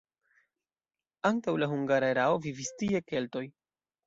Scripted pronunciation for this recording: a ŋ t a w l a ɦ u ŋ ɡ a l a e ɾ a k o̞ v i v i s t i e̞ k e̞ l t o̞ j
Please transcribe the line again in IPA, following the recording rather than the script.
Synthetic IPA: a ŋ t a w l a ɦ u ŋ ɡ a ɾ a e ɾ a o̞ v i v i s t i e̞ k e̞ l t o̞ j